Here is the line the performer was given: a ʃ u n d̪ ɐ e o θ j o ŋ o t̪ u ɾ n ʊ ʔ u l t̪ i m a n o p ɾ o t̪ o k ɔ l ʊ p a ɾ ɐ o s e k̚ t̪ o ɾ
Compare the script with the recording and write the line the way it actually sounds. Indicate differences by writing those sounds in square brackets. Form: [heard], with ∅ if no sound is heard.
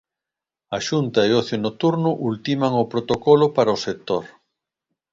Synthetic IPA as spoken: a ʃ u n [t̪] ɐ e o θ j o [n] o t̪ u ɾ n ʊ ʔ u l t̪ i m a [ŋ] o p ɾ o t̪ o k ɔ l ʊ p a ɾ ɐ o s e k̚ t̪ o ɾ